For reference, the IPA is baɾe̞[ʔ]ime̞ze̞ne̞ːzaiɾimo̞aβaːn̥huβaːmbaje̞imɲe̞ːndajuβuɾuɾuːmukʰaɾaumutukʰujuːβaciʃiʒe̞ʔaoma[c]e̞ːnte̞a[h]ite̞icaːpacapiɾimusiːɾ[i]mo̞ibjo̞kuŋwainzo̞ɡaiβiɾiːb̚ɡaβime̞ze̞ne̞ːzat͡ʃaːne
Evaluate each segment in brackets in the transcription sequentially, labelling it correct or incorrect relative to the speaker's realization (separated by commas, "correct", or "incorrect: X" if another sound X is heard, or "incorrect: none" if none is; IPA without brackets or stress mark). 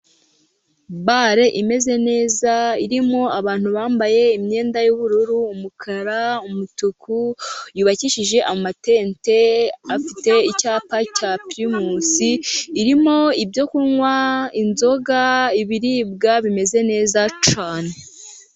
correct, incorrect: t, incorrect: f, correct